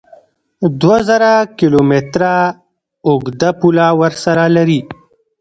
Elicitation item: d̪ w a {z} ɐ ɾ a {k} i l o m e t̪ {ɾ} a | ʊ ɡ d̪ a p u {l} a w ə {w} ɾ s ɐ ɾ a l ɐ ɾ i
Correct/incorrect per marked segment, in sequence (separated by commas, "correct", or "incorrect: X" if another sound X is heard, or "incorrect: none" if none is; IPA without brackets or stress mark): correct, correct, correct, correct, incorrect: none